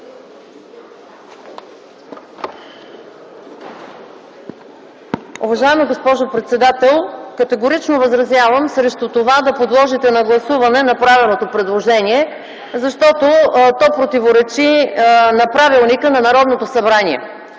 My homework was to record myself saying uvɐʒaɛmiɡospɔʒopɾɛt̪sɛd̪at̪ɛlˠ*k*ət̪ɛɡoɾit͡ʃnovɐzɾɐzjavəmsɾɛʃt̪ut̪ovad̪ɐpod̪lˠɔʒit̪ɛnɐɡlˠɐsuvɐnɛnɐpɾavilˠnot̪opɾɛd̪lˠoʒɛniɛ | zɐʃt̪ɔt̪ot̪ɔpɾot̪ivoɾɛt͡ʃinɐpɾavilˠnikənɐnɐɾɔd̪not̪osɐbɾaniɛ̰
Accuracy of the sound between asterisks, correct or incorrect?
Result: correct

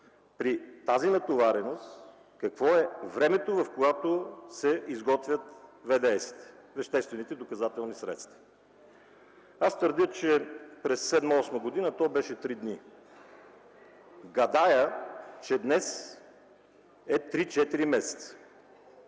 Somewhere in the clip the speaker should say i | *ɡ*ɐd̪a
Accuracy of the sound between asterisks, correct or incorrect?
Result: correct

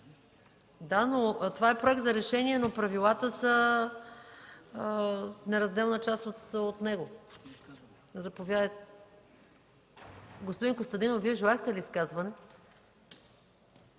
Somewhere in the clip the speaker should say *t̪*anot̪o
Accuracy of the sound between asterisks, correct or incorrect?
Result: incorrect: d̪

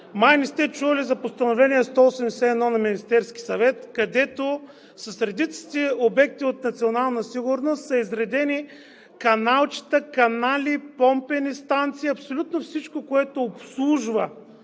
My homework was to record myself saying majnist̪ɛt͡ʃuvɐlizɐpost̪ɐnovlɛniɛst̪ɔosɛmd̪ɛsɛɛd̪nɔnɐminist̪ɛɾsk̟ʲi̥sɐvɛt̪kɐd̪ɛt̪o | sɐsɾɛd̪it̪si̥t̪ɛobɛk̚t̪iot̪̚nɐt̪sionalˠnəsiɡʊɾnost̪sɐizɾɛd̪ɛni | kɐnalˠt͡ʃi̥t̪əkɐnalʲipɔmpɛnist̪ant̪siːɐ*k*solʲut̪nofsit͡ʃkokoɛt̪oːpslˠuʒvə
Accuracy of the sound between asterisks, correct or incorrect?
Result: incorrect: p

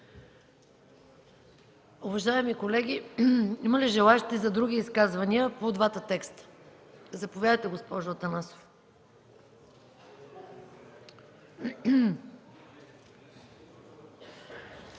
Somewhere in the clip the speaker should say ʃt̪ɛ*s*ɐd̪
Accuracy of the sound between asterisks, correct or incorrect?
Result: incorrect: z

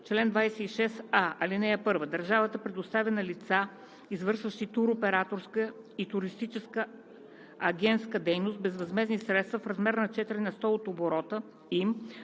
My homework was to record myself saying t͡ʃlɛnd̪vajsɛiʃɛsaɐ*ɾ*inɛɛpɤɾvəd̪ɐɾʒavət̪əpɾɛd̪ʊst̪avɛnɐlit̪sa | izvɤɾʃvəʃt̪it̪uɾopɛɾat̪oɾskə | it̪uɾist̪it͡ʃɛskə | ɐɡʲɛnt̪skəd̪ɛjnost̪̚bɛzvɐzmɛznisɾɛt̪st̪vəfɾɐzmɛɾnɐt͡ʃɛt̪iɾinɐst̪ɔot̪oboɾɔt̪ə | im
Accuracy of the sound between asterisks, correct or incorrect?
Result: incorrect: l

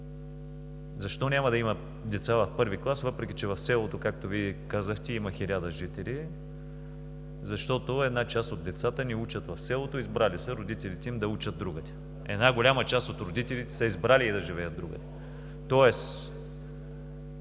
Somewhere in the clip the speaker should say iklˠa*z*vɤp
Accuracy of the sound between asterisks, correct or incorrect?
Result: incorrect: s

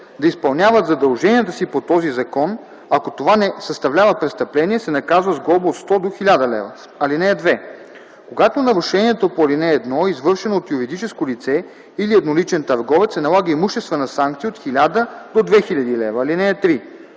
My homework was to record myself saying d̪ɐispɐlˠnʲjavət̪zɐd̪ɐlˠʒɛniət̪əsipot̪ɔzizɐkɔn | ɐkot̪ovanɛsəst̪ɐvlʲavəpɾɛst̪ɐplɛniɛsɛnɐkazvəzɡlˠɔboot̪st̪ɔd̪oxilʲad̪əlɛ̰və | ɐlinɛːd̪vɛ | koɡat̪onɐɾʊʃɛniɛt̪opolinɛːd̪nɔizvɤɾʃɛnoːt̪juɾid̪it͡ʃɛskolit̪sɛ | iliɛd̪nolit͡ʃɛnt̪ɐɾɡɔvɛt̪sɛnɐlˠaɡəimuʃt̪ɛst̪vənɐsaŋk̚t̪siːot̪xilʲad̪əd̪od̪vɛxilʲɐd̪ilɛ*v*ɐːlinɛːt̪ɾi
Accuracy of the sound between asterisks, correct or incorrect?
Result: correct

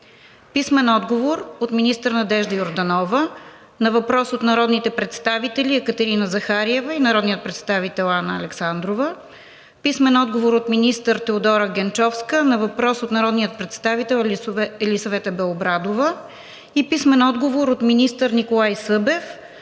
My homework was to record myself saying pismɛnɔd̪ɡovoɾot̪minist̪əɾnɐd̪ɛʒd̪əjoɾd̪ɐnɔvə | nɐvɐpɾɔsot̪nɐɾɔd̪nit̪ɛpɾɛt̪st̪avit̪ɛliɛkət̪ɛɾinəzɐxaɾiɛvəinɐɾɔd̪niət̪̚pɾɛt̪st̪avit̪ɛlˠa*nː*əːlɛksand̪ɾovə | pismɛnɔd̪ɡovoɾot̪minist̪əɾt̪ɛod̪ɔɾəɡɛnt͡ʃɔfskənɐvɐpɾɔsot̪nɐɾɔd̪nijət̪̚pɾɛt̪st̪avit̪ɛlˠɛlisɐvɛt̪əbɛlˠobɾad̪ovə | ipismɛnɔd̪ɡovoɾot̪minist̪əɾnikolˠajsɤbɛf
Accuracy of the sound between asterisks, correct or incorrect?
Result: incorrect: n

